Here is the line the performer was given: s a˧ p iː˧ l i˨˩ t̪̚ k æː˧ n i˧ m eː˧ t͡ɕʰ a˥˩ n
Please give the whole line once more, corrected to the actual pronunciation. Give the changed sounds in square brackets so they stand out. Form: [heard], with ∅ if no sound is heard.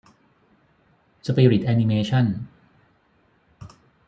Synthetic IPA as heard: s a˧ p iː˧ [ɾ] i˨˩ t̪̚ [ʔ] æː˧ n i˧ m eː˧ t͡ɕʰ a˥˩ n